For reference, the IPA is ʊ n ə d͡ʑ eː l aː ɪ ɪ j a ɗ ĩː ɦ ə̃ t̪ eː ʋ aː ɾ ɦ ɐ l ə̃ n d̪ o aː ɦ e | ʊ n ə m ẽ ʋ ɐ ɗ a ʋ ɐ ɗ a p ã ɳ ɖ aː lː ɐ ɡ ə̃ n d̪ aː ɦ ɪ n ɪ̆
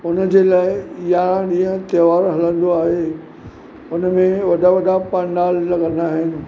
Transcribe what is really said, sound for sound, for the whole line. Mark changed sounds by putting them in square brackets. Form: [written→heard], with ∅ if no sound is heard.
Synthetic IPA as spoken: ʊ n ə d͡ʑ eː l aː ɪ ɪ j a ɗ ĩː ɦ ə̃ t̪ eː ʋ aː ɾ ɦ ɐ l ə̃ n d̪ o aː ɦ e | ʊ n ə m ẽ ʋ ɐ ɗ a ʋ ɐ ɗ a p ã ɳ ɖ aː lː ɐ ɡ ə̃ n d̪ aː ɦ ɪ n ɪ̆